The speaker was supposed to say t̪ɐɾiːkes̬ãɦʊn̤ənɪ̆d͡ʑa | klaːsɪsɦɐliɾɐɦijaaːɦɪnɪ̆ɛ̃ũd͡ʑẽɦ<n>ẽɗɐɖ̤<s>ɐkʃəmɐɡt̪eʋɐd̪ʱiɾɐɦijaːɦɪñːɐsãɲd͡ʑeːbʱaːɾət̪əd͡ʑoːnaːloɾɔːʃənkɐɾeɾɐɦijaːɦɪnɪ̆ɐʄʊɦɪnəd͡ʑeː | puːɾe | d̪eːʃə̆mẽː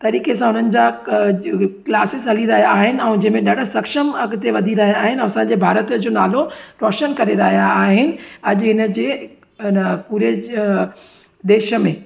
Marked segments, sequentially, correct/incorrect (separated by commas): incorrect, correct